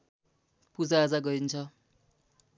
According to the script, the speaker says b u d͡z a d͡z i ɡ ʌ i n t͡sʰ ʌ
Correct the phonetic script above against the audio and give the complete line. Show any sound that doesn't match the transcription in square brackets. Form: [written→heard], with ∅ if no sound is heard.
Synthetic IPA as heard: [b→p] u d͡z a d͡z [i→a] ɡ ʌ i n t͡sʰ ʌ